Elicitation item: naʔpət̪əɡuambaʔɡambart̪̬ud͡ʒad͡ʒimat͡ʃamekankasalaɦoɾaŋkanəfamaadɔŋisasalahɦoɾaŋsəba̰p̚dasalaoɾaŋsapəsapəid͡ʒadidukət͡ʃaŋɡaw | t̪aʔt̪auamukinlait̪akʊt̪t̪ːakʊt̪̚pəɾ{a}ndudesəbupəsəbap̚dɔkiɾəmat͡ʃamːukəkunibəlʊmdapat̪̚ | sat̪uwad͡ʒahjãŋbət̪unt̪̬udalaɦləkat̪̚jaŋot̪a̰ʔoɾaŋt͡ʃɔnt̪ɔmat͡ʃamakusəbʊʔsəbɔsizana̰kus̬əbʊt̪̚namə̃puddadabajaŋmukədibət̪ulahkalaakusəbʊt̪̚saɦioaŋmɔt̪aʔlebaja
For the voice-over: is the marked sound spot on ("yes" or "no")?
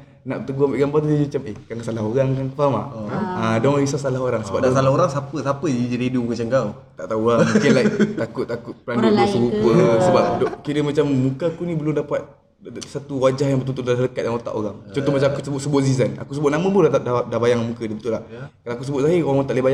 yes